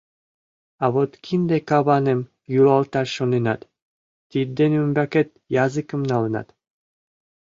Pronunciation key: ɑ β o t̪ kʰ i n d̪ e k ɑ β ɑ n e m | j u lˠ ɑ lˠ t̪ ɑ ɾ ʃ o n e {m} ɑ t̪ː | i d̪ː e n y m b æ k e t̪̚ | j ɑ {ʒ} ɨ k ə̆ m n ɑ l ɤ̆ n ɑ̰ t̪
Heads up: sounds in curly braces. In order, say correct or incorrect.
incorrect: n, incorrect: z

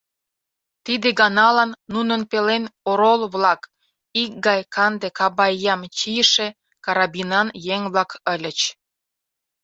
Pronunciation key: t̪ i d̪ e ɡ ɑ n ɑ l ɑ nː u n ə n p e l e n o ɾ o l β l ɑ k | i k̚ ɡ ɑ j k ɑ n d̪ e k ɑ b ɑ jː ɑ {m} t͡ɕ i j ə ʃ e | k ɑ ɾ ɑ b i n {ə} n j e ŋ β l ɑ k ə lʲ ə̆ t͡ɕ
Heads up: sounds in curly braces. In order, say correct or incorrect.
correct, incorrect: ɑ

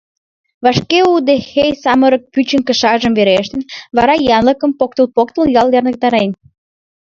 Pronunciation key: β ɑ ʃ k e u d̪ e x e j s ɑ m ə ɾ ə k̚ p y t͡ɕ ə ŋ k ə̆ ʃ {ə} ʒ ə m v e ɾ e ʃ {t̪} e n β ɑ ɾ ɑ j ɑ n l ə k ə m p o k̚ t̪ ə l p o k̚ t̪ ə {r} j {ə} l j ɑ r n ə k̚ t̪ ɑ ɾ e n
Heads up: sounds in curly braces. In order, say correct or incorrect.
incorrect: ɑ, correct, incorrect: l, incorrect: ɑ

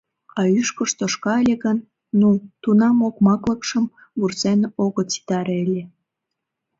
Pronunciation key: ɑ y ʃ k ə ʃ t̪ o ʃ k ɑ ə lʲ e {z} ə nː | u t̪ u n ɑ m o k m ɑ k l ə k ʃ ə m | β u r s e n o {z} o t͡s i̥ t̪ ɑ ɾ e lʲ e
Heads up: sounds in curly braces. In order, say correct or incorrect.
incorrect: ɣ, incorrect: ɣ

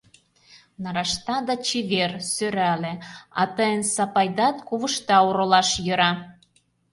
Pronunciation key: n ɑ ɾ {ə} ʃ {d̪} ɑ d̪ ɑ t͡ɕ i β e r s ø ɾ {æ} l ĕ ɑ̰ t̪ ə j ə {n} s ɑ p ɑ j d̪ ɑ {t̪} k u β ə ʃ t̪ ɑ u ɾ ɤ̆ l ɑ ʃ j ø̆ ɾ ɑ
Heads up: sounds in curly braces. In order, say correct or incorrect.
incorrect: ɑ, incorrect: t̪, correct, correct, correct

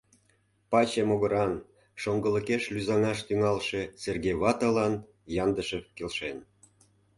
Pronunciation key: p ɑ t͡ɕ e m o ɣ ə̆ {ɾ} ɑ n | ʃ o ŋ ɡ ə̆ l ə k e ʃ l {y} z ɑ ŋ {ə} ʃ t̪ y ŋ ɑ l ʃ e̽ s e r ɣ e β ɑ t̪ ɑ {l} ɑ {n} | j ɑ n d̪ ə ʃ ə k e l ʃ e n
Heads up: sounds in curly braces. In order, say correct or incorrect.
correct, correct, incorrect: ɑ, correct, correct

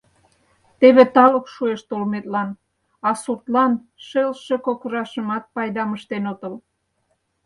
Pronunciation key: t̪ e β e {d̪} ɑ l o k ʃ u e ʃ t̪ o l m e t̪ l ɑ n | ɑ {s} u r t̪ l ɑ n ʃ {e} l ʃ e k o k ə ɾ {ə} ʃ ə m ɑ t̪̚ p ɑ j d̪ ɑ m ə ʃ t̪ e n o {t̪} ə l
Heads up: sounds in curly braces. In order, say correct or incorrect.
incorrect: t̪, correct, correct, incorrect: ɑ, correct

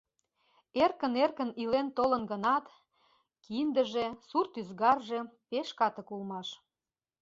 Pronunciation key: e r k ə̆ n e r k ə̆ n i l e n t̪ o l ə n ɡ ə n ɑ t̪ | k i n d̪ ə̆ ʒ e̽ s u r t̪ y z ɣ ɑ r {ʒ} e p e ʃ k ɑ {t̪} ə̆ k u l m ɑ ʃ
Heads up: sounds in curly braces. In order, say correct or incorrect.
correct, correct

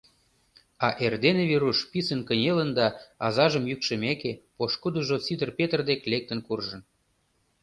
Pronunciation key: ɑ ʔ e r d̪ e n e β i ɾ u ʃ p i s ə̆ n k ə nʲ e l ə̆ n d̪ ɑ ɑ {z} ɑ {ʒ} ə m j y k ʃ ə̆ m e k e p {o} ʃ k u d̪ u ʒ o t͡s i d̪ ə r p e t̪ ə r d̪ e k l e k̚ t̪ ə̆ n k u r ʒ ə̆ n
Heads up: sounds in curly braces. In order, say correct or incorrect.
correct, correct, correct

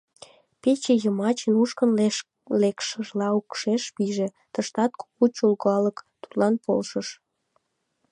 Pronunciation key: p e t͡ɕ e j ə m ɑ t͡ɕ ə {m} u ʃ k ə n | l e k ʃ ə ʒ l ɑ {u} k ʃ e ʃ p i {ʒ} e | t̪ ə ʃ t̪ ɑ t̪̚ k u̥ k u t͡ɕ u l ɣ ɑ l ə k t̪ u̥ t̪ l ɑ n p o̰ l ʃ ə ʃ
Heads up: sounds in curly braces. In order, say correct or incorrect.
incorrect: n, correct, correct

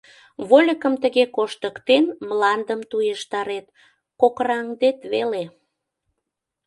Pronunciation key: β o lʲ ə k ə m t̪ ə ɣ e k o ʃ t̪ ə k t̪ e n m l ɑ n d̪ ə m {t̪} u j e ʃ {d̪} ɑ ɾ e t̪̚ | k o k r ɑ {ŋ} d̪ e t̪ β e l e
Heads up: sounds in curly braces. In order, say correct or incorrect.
correct, incorrect: t̪, correct

